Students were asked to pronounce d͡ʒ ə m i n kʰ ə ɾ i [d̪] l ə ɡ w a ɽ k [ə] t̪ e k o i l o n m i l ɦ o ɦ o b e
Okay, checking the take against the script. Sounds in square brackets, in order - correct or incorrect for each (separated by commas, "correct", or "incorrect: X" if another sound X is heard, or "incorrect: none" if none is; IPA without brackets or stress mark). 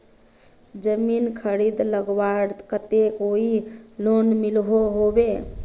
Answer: correct, correct